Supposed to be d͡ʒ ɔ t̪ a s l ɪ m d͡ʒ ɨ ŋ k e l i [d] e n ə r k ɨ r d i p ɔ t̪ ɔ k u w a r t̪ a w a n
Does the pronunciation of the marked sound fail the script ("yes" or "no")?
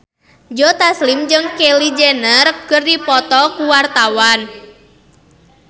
yes